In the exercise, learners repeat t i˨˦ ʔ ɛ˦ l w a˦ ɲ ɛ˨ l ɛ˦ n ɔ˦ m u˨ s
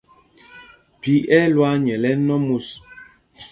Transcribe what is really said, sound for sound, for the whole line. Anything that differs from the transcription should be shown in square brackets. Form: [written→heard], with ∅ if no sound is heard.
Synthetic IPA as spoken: [t→p] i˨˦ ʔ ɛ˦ l w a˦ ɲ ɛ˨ l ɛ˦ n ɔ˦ m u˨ s